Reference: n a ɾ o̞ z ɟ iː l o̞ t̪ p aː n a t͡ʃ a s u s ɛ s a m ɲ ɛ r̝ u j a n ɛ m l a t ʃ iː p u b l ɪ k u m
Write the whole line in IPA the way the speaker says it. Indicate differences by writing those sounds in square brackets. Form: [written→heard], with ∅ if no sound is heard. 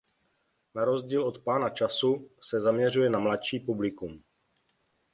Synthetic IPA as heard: n a ɾ o̞ z ɟ iː l o̞ t̪ p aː n a t͡ʃ a s u s ɛ [s→z] a m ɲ ɛ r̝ u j [a→ɛ] n [ɛ→a] m l a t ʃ iː p u b l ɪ k u m